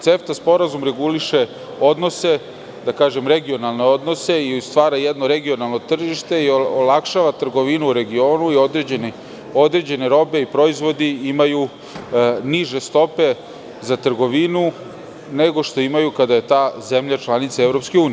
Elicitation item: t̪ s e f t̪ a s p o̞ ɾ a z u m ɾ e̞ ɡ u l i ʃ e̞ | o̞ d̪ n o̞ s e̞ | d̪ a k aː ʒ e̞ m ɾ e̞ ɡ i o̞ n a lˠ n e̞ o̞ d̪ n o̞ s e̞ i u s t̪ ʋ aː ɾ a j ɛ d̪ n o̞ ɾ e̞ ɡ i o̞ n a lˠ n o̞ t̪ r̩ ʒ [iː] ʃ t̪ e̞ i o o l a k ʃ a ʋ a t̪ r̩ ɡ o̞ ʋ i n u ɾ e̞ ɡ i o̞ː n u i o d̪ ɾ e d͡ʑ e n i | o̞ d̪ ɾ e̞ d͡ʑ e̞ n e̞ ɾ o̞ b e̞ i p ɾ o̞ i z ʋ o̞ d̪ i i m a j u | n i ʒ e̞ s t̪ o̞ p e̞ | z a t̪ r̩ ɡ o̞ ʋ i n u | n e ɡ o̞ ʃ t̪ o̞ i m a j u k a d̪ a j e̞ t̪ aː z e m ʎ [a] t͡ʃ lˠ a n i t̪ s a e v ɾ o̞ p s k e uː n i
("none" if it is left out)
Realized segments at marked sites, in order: i, a

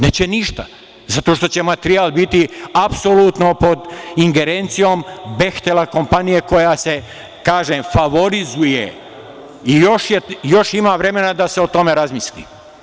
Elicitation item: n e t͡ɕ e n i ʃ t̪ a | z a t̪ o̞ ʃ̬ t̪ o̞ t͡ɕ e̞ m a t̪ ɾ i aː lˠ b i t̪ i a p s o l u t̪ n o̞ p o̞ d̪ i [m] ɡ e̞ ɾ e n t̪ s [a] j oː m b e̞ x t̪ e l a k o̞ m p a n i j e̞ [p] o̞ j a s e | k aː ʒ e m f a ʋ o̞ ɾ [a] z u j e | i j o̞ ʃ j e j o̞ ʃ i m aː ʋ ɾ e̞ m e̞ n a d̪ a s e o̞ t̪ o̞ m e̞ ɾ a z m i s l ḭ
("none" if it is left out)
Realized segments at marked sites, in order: ŋ, i, k, i

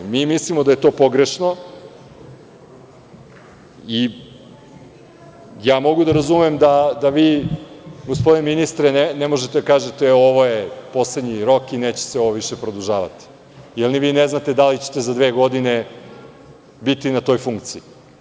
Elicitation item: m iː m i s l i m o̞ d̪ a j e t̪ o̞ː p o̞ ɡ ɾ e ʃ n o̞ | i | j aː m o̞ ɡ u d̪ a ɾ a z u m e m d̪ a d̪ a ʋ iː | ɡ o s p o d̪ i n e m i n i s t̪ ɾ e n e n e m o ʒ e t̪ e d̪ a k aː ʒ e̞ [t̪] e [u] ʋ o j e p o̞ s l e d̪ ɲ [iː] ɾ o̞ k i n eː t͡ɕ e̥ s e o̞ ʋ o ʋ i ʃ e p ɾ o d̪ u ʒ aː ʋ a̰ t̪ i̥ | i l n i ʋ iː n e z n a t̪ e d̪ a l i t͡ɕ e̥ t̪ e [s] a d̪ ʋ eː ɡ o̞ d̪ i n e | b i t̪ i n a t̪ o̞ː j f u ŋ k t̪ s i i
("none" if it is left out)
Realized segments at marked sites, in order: t̪, o, i, z

